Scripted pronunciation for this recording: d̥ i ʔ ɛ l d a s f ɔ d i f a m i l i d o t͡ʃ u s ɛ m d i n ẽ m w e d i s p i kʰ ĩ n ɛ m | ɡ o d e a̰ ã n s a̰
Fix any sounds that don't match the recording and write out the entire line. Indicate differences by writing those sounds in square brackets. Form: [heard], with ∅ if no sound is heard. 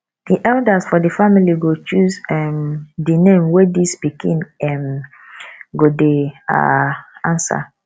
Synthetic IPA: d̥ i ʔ ɛ l d a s f ɔ d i f a m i l i [ɡ] o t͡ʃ u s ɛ m d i n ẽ m w e d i s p i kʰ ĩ n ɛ m | ɡ o d e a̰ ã n s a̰